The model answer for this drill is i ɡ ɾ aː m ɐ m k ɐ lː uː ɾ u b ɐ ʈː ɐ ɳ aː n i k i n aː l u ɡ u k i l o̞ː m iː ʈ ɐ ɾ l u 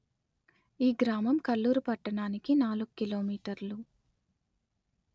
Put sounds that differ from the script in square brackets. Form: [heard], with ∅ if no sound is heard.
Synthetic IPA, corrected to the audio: [iː] ɡ ɾ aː m ɐ m k ɐ lː uː ɾ u [p] ɐ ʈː ɐ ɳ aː n i k i n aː l u ɡ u k i l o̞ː m iː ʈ ɐ ɾ l u

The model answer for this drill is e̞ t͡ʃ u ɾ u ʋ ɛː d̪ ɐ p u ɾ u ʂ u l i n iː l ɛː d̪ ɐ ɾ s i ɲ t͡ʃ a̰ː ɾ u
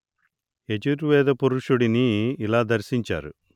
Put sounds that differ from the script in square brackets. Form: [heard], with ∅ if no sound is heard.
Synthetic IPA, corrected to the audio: e̞ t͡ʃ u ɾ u ʋ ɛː d̪ ɐ p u ɾ u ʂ u [ɽ] i n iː l [aː] d̪ ɐ ɾ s i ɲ t͡ʃ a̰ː ɾ u

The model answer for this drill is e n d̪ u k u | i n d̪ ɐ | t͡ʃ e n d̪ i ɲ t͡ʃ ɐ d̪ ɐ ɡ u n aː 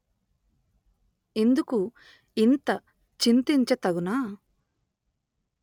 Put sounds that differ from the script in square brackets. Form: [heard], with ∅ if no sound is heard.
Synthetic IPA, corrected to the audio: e n d̪ u k u | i n [t̪] ɐ | t͡ʃ [i] n [t̪] i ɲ t͡ʃ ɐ [t̪] ɐ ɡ u n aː

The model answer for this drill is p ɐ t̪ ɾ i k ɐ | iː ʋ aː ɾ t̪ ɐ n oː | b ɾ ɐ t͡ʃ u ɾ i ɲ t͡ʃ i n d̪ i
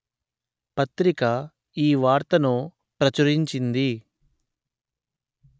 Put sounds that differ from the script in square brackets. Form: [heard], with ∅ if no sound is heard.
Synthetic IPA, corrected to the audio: p ɐ t̪ ɾ i k ɐ | iː ʋ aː ɾ t̪ ɐ n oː | [p] ɾ ɐ t͡ʃ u ɾ i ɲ t͡ʃ i n d̪ i

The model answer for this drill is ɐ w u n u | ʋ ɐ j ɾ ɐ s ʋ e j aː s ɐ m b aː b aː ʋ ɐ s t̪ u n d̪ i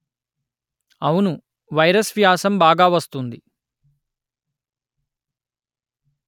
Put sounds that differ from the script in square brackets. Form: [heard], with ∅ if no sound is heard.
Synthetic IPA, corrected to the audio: ɐ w u n u | ʋ ɐ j ɾ ɐ s ʋ [i] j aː s ɐ m b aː [ɡ] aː ʋ ɐ s t̪ u n d̪ i

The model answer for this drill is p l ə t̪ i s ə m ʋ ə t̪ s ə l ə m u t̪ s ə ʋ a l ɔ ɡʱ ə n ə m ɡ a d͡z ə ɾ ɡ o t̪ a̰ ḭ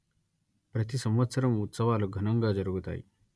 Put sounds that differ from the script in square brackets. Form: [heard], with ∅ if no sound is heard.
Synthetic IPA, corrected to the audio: p [ɾ] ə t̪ i s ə m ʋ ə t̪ s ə [ɾ] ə m u t̪ s ə ʋ a l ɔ ɡʱ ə n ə [ŋ] ɡ a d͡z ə ɾ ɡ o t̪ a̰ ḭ

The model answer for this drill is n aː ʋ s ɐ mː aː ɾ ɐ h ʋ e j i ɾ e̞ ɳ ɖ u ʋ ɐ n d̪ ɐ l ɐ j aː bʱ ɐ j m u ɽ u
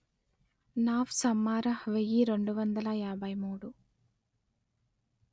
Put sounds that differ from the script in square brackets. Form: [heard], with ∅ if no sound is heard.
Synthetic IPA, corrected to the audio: n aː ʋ s ɐ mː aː ɾ ɐ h ʋ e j i ɾ e̞ ɳ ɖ u ʋ ɐ n d̪ ɐ l ɐ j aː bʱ ɐ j m [uː] ɽ u

